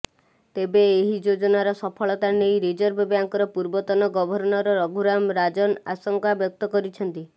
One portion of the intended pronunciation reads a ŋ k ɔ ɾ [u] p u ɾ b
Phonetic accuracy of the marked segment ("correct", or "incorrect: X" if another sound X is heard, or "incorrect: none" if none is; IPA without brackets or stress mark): incorrect: ɔ